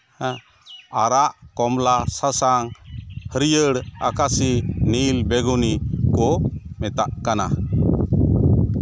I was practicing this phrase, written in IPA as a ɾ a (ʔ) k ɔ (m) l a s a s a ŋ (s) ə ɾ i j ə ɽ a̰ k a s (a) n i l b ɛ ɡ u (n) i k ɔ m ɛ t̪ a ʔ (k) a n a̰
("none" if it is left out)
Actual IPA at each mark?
ʔ, m, h, i, n, k

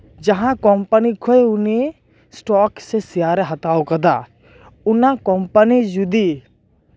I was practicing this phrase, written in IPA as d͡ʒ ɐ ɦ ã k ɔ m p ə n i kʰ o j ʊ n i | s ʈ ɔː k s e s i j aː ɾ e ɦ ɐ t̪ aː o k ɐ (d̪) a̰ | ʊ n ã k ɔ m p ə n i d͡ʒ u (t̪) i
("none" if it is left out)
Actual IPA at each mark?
d̪, d̪

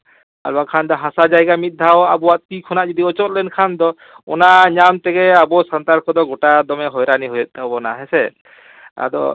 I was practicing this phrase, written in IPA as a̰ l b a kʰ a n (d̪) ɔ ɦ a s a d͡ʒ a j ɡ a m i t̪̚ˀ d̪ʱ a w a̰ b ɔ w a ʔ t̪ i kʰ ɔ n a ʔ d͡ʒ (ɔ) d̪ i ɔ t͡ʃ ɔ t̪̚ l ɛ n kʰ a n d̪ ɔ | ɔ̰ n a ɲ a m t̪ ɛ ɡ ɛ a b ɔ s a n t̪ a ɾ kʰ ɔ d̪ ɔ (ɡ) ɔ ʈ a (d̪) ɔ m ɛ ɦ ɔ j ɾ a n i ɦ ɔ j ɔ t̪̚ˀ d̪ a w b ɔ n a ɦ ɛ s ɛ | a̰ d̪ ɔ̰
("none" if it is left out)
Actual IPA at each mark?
d̪, ɔ, ɡ, d̪

